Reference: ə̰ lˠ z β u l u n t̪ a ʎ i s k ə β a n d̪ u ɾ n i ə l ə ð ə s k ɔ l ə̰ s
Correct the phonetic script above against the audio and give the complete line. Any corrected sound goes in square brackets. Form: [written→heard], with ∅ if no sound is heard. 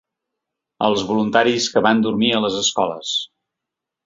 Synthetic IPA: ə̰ lˠ z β u l u n t̪ a [ʎ→ɾ] i s k ə β a n d̪ u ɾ [n→m] i ə l ə [ð→z] ə s k ɔ l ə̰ s